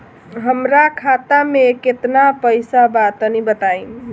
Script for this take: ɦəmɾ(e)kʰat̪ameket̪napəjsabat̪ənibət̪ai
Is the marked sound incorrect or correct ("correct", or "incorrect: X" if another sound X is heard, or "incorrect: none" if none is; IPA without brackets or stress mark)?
incorrect: a